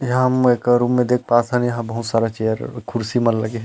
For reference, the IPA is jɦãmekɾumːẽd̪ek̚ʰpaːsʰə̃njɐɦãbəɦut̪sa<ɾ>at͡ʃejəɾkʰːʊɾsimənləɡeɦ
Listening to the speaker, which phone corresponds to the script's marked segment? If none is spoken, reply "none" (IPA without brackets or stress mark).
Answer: ɾ